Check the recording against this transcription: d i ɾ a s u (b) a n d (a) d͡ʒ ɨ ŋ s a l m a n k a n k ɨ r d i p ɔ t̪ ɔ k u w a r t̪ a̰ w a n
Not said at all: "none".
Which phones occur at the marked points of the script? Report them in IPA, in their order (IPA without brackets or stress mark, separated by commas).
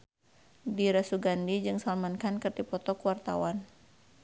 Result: ɡ, i